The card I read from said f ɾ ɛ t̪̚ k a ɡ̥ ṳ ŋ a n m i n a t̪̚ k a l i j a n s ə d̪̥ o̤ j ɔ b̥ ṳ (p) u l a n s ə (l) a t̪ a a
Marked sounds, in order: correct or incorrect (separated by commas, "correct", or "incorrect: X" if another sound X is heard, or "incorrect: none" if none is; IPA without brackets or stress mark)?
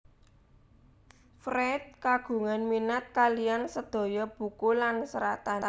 incorrect: k, incorrect: ɾ